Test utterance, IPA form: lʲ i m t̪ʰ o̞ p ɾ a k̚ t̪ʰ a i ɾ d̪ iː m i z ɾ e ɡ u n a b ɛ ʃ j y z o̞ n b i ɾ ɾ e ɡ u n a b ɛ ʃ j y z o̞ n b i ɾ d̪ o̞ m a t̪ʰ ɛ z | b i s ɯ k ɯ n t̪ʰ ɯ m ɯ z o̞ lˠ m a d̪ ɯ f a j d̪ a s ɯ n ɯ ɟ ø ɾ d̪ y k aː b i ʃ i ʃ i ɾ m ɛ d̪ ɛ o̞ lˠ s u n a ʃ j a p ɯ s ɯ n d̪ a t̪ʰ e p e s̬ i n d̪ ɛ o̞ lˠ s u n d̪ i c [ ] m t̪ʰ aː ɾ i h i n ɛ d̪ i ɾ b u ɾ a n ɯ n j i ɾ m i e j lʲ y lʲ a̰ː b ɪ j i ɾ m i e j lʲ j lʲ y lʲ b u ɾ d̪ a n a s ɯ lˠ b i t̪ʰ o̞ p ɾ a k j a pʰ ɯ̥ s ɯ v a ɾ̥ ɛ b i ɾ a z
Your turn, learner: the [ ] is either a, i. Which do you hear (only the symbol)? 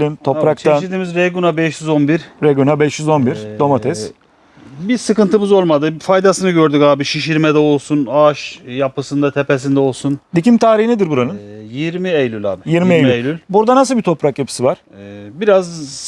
i